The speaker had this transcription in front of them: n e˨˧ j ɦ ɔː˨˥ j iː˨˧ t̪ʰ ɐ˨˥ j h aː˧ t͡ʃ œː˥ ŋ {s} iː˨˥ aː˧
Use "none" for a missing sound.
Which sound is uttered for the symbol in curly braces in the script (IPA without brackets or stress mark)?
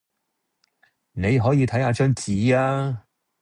t͡s